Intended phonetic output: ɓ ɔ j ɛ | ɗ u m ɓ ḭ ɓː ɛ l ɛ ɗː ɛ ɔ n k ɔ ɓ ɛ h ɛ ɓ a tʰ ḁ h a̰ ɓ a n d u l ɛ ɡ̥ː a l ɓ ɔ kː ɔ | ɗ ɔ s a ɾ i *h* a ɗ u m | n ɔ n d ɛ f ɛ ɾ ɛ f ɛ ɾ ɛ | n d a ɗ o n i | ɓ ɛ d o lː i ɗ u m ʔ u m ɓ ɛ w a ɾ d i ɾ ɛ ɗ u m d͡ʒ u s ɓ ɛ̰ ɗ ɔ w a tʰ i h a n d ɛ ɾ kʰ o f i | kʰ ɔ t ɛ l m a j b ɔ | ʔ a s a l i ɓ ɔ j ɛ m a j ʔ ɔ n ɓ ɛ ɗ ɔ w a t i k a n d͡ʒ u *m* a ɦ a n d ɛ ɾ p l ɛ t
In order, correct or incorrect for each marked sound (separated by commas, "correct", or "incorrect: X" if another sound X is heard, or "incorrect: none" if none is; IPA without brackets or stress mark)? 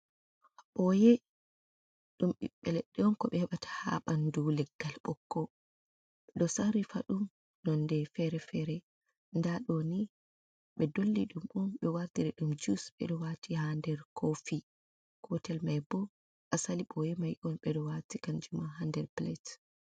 incorrect: f, correct